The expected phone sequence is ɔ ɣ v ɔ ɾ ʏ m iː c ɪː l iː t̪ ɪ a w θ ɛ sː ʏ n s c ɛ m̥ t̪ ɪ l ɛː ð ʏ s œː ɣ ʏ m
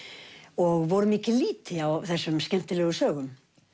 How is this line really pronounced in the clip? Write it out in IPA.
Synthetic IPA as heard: ɔ ɣ v ɔ ɾ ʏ m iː c ɪ l iː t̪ ɪ a w θ ɛ sː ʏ m s c ɛ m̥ t̪ ɪ l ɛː ɣ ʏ s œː ɣ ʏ m